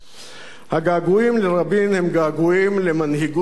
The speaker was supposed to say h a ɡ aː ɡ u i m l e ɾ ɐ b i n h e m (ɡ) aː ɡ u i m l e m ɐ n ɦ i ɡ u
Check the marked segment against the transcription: correct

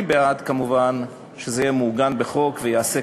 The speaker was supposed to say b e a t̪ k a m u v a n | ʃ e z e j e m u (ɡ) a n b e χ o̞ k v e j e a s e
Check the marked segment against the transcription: correct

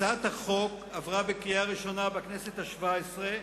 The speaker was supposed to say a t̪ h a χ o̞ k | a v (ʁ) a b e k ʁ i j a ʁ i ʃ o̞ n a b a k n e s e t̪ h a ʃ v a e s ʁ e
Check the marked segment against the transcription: correct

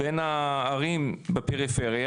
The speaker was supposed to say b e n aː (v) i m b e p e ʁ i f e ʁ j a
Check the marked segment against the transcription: incorrect: ʁ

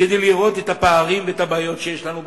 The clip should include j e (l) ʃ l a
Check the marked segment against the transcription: incorrect: none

